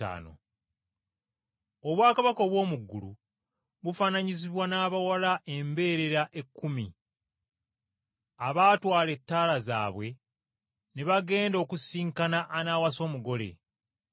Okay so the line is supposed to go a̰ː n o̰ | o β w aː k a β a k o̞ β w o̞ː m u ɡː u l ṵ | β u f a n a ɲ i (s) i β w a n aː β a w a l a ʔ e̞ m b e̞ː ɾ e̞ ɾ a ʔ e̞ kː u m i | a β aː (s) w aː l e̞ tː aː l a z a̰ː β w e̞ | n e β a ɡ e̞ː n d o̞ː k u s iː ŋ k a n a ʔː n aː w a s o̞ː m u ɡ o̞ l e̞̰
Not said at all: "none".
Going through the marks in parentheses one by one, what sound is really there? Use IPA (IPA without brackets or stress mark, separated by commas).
z, t